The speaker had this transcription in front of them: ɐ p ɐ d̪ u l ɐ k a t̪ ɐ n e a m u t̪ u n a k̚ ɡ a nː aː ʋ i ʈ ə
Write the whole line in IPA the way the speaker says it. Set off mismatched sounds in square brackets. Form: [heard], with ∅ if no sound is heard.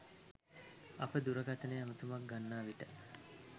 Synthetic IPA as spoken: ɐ p [ə] d̪ u [ɾ] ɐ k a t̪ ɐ n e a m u t̪ u [m] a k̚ ɡ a nː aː ʋ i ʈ ə